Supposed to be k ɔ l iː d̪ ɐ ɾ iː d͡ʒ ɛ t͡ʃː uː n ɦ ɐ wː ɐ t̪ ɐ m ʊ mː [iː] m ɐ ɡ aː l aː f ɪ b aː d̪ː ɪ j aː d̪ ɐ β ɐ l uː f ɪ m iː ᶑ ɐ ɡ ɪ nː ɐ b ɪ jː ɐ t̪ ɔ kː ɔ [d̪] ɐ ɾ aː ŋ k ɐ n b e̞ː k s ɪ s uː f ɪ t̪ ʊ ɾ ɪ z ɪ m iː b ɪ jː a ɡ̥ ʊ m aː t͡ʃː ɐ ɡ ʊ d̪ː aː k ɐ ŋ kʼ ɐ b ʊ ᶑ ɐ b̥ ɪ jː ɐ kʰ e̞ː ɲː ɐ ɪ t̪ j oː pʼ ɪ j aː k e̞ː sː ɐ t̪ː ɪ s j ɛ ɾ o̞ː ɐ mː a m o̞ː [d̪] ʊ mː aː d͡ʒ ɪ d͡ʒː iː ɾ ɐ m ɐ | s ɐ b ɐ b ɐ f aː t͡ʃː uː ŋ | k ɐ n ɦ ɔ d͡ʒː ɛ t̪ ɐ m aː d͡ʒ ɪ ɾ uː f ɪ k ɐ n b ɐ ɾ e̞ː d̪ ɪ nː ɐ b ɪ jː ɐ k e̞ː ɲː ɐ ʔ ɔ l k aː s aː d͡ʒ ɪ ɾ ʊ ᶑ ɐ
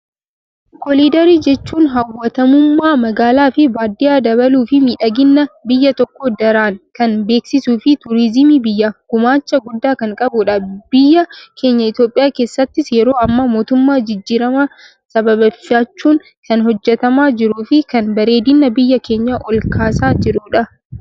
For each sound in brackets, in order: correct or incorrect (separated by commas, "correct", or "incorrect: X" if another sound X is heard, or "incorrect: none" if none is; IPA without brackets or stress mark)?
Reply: incorrect: aː, correct, incorrect: t̪